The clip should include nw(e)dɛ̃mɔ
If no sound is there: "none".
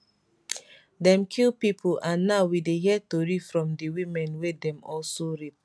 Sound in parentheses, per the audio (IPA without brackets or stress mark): e